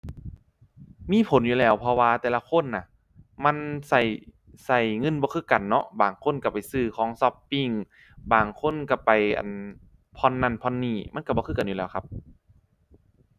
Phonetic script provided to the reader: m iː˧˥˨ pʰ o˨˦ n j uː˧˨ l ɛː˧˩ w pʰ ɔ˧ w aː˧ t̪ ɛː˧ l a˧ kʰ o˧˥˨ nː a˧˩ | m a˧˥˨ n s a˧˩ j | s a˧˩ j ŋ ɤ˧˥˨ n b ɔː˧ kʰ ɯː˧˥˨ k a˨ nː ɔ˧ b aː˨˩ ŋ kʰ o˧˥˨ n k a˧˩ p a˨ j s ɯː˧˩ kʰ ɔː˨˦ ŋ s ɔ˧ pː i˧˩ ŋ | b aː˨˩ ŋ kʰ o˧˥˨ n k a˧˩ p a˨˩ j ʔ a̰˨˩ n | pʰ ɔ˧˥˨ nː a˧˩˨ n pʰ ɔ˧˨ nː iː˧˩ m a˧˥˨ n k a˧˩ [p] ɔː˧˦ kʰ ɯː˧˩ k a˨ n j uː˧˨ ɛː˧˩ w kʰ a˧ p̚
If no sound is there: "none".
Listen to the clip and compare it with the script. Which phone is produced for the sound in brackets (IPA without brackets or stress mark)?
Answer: b